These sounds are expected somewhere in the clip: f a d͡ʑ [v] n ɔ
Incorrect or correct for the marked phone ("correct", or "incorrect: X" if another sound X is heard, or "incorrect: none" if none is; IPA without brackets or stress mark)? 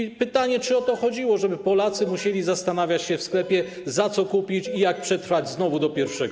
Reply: incorrect: z